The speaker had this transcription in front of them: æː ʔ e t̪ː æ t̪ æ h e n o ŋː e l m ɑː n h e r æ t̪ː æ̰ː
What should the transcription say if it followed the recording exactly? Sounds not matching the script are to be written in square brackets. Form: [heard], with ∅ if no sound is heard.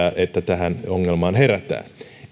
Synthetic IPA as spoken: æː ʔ e t̪ː æ t̪ æ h [æ] n o ŋː e l m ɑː n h e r æ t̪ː æ̰ː